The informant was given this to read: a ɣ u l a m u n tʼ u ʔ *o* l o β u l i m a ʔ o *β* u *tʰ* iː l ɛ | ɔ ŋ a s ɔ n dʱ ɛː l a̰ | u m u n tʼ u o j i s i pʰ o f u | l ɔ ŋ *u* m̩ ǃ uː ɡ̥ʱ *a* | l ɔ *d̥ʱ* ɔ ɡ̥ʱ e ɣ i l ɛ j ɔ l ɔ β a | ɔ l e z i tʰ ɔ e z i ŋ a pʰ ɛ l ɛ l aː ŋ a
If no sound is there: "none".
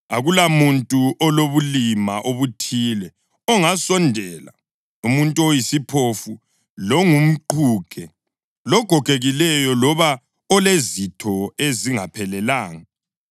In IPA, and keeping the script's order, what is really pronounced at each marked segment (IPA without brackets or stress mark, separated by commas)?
ɔ, β, tʰ, u, ɛ, ɡ̥ʱ